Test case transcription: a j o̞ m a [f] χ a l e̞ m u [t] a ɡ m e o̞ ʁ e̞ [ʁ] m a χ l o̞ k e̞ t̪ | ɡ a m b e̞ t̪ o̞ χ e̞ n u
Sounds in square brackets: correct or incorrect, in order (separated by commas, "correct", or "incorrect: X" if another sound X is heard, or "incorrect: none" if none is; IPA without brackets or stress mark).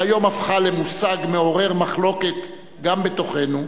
correct, incorrect: s, correct